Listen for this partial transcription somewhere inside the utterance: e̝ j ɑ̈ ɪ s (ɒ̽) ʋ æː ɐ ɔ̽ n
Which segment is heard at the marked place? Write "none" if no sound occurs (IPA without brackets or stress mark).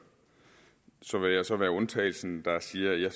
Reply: ɒ̽